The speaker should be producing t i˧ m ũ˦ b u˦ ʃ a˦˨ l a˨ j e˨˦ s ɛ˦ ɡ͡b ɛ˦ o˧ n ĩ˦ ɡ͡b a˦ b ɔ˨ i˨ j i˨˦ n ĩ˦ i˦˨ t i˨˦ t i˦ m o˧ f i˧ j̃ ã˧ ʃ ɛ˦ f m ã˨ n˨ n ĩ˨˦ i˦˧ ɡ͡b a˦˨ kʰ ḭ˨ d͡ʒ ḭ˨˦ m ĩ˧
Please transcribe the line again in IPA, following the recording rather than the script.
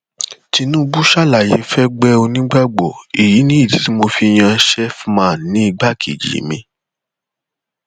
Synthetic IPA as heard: t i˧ n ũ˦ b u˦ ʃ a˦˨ l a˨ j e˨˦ f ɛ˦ ɡ͡b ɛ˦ o˧ n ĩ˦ ɡ͡b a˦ ɡ͡b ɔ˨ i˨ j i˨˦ n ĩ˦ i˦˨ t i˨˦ t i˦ m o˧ f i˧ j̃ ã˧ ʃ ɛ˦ f m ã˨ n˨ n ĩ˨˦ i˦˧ ɡ͡b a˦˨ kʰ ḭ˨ d͡ʒ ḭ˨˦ m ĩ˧